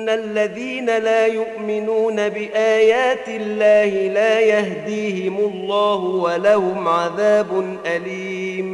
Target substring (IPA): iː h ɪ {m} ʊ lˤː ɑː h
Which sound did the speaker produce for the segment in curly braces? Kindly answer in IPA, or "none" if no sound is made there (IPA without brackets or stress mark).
m